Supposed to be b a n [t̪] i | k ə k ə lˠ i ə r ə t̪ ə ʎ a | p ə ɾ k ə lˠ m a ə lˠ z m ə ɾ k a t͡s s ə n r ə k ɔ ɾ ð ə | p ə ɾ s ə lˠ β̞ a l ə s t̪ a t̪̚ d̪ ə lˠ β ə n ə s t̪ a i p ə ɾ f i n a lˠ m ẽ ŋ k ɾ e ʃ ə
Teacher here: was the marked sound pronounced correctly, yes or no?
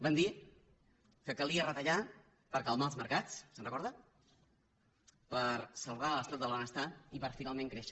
no